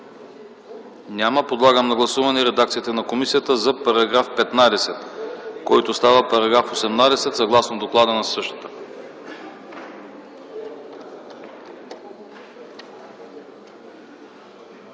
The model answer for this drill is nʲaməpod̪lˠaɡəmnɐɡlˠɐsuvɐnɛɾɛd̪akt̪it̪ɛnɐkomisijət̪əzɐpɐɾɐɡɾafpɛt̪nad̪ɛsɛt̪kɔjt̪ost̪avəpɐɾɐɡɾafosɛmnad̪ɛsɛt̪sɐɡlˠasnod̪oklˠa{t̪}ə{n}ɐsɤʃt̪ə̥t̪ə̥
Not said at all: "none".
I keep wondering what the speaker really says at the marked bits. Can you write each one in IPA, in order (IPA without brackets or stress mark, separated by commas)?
d̪, n